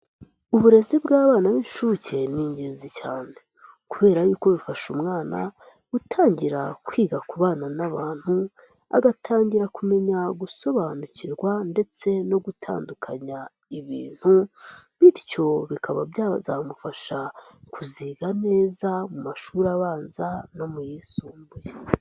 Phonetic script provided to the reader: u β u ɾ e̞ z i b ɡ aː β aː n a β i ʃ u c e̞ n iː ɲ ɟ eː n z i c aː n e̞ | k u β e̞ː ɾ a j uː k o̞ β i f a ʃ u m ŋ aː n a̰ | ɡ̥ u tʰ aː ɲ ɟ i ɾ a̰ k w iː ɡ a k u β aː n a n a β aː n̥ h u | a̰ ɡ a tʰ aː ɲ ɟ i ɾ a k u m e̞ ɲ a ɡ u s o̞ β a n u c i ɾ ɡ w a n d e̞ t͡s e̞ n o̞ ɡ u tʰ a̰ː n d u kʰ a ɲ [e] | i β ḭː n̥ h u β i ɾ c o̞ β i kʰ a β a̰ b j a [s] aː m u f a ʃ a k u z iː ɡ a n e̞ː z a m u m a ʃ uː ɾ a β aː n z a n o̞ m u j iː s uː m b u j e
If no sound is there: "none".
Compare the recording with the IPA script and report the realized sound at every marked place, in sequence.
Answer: a, z

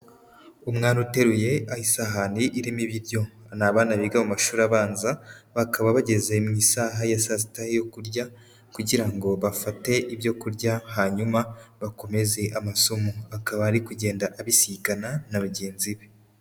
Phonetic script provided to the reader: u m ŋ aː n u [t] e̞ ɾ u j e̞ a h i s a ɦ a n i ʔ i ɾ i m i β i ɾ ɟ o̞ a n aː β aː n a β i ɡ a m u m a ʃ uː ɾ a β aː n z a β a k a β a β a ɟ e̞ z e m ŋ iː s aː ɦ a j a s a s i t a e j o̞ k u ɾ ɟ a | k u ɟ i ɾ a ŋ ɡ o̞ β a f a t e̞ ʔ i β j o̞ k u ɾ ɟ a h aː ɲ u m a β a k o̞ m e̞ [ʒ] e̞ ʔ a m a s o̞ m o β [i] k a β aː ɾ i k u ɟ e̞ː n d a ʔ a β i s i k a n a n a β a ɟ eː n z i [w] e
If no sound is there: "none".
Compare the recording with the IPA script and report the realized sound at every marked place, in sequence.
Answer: t, z, a, β

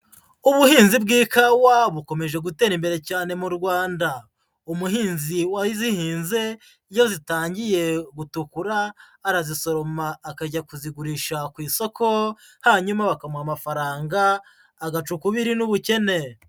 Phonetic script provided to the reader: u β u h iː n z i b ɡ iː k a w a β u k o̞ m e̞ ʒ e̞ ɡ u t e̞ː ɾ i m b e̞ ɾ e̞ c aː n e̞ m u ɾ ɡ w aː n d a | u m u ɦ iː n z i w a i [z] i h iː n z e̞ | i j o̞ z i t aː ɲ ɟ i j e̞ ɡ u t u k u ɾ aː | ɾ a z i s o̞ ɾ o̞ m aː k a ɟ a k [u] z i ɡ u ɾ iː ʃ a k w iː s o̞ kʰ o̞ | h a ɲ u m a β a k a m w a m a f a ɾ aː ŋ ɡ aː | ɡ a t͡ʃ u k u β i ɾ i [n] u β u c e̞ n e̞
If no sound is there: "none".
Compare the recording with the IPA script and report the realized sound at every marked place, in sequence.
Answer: z, u, n

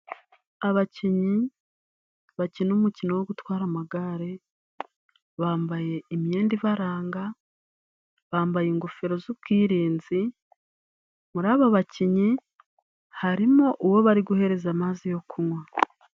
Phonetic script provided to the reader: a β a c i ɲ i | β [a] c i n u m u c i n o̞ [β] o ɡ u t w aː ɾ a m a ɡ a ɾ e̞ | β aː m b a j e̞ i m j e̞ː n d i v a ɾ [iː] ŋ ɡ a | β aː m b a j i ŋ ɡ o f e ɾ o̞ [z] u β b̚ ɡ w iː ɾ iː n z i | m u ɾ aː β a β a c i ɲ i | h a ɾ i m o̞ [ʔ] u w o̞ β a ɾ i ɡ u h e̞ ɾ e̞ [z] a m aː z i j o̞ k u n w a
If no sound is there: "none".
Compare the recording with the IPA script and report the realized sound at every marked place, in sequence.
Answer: a, w, aː, z, ʔ, z

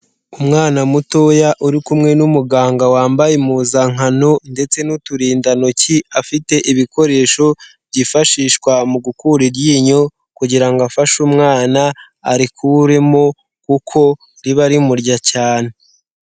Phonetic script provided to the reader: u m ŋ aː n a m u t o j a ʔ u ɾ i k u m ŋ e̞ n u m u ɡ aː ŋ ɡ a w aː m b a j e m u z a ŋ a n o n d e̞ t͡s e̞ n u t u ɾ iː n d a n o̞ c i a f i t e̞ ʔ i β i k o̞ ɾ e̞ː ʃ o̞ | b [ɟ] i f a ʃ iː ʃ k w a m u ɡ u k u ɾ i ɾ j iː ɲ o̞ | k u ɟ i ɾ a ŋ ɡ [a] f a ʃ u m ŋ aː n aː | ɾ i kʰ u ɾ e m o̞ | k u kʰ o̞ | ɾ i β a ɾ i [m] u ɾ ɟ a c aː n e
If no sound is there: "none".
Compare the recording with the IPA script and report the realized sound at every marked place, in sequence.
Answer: ɟ, a, m

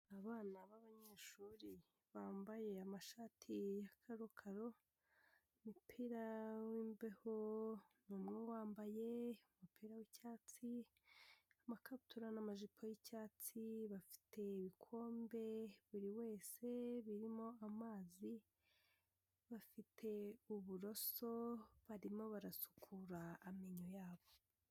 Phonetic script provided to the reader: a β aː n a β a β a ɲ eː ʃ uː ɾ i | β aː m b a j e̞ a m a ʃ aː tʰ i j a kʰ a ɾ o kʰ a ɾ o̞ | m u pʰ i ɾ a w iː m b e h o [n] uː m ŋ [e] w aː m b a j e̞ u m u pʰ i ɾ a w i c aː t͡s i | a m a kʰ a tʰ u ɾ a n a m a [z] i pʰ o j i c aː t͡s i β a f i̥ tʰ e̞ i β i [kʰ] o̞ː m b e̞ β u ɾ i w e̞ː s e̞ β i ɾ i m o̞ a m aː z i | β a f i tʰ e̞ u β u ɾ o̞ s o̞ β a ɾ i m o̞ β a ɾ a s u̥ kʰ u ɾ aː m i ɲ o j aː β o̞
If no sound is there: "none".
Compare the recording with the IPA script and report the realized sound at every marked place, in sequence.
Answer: n, e, ʒ, kʰ

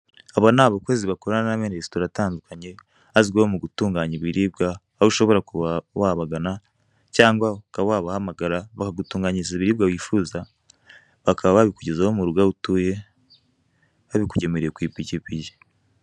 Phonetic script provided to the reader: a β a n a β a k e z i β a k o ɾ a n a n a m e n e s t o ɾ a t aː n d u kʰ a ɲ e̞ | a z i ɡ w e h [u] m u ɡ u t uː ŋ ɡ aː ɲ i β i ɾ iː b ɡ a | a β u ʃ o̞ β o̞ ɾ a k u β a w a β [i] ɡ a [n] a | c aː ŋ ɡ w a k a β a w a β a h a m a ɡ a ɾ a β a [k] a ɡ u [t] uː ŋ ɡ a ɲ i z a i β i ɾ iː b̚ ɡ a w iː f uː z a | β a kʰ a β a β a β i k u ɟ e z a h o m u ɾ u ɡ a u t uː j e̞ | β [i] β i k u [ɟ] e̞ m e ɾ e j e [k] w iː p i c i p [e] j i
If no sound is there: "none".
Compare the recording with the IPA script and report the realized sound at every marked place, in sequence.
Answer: o, a, n, k, t, a, ɟ, k, i

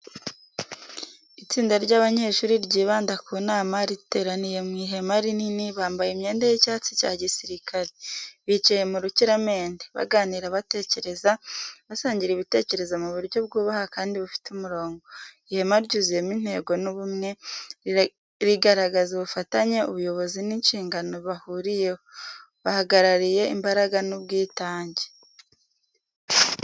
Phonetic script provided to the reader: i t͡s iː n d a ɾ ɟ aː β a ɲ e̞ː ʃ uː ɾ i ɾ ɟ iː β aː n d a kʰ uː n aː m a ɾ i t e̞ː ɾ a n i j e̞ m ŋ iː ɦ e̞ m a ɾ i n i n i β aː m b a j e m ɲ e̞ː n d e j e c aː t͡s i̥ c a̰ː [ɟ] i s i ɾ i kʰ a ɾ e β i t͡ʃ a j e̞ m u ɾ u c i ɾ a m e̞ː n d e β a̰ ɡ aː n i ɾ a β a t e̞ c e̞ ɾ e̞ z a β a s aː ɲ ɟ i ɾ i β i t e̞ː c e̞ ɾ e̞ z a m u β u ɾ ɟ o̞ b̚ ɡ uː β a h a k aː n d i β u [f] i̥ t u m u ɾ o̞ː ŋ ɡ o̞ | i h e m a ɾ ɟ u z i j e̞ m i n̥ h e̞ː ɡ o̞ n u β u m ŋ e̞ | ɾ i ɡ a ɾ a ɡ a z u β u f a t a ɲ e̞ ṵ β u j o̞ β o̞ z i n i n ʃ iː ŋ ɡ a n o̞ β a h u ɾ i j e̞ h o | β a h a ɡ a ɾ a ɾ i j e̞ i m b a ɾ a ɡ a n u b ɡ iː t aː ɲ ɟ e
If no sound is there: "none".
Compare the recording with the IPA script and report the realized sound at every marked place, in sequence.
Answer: ɟ, f

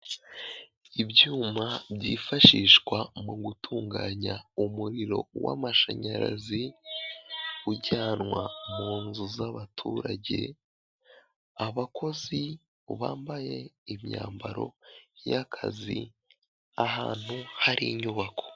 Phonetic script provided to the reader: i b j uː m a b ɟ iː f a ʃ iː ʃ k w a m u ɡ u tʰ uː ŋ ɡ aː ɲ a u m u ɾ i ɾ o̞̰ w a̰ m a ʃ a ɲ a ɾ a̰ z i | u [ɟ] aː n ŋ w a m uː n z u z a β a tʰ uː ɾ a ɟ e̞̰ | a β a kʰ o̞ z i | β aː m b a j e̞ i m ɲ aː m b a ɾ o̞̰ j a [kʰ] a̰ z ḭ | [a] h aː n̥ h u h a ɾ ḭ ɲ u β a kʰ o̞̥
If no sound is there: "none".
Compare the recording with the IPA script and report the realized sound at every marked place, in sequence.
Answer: ɟ, kʰ, a

